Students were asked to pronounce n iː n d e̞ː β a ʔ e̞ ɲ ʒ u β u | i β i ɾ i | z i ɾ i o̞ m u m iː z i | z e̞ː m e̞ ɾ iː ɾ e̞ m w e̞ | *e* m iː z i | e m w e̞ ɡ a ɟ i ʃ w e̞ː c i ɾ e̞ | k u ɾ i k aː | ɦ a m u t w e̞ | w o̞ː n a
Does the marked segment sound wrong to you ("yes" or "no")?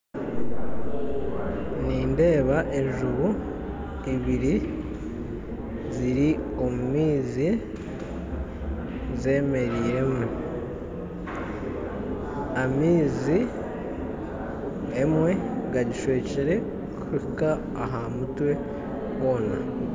yes